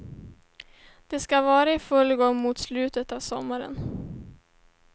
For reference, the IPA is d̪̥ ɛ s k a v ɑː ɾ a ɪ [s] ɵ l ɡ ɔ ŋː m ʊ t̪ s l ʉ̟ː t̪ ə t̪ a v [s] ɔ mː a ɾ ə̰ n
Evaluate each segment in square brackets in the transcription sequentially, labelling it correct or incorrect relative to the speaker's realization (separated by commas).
incorrect, correct